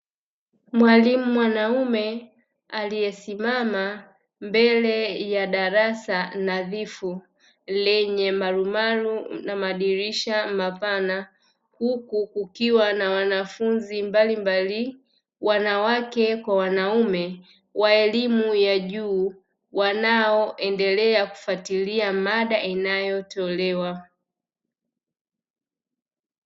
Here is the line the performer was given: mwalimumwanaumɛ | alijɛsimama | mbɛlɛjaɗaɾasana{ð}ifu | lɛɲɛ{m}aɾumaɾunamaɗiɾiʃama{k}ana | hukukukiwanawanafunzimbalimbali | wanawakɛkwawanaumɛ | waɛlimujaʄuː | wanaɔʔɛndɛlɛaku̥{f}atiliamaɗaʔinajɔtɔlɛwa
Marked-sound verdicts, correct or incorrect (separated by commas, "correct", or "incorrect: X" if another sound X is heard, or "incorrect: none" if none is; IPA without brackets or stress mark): correct, correct, incorrect: p, correct